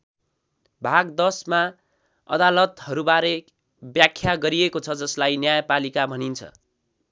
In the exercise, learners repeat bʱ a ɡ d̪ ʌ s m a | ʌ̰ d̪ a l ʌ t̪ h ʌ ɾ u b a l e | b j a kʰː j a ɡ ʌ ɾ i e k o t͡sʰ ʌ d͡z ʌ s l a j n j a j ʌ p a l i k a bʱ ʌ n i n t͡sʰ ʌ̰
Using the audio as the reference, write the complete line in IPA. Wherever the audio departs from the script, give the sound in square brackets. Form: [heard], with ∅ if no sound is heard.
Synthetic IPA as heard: bʱ a ɡ d̪ ʌ s m a | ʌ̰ d̪ a l ʌ t̪ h ʌ ɾ u b a [ɾ] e | b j a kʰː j a ɡ ʌ ɾ i e k o t͡sʰ ʌ d͡z ʌ s l a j n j a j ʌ p a l i k a bʱ ʌ n i n t͡sʰ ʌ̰